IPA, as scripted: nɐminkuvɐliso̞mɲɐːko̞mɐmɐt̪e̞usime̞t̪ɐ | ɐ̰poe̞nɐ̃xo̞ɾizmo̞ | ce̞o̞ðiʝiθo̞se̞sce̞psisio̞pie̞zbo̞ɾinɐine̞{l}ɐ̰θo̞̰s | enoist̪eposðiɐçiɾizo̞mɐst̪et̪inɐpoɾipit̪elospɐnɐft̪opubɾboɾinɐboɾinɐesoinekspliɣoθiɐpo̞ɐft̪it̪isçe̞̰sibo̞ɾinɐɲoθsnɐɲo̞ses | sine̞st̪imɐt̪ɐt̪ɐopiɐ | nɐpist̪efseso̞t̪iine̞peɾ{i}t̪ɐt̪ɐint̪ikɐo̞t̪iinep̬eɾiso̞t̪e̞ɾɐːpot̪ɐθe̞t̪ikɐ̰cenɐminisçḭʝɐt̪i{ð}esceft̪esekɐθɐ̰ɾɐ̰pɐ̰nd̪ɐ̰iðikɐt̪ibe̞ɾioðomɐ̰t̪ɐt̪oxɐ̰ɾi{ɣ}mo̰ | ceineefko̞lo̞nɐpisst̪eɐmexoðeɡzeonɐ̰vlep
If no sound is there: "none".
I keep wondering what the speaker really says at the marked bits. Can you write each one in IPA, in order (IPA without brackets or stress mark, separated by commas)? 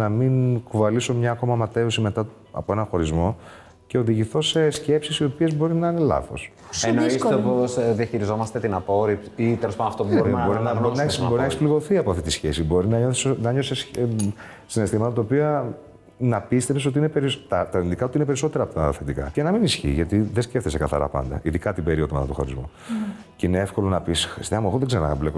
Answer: l, i, ð, z